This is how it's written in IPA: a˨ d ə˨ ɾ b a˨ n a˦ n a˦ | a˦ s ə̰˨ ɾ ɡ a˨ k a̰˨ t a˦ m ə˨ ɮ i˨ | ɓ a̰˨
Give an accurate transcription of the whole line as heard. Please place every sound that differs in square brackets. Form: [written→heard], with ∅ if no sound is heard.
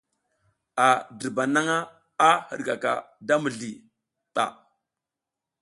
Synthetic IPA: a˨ d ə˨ ɾ b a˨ n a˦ [n→ŋ] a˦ | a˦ [s→h] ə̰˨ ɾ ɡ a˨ k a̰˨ [t→d] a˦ m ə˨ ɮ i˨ | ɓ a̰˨

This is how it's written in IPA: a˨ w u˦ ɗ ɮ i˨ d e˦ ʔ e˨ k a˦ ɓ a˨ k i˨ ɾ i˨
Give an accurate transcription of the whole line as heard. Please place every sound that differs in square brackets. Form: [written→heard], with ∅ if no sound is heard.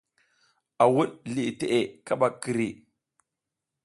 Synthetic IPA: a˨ w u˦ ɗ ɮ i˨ [d→t] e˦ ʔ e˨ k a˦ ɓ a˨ k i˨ ɾ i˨

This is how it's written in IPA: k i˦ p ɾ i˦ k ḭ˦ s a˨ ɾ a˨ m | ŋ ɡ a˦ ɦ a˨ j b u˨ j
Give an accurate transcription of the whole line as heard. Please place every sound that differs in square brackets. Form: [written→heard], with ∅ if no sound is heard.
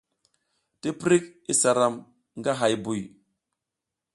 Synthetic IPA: [k→t] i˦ p ɾ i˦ k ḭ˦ s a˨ ɾ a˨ m | ŋ ɡ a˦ ɦ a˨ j b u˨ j

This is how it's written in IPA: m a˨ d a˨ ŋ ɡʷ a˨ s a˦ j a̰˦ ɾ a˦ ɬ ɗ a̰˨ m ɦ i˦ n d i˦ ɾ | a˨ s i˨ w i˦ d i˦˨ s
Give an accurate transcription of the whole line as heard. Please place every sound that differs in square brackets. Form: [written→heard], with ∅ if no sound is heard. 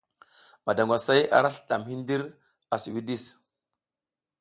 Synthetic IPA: m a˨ d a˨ ŋ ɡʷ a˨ s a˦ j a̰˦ ɾ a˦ ɬ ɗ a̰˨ m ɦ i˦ n d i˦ ɾ | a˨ s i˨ w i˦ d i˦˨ s

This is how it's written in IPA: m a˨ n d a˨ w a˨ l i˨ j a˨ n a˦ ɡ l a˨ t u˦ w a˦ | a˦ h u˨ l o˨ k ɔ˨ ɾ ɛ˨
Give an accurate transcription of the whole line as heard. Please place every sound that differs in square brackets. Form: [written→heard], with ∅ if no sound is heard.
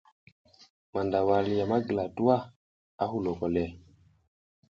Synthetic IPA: m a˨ n d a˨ w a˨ l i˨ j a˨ [n→m] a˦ ɡ l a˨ t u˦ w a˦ | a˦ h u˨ l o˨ k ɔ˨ [ɾ→l] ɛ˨

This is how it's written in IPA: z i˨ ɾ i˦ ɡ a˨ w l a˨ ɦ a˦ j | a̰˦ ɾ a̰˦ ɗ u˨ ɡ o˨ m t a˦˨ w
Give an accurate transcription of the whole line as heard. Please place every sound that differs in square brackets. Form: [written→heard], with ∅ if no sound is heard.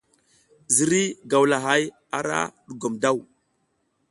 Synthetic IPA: z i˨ ɾ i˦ ɡ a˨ w l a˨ ɦ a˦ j | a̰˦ ɾ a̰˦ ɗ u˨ ɡ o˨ m [t→d] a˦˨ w

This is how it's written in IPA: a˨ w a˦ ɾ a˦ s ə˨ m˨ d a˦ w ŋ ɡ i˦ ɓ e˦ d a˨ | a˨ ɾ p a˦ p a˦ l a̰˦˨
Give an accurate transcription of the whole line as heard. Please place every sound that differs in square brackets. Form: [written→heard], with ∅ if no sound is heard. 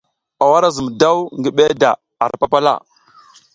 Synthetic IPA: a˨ w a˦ ɾ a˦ [s→z] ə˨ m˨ d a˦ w ŋ ɡ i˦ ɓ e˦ d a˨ | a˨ ɾ p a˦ p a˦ l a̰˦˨

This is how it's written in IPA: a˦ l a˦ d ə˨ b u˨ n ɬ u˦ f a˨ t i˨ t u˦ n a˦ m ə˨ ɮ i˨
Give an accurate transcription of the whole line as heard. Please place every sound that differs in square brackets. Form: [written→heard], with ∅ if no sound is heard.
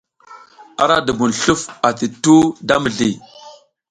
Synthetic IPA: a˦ [l→ɾ] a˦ d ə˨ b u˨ n ɬ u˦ f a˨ t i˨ t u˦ [n→d] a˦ m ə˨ ɮ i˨

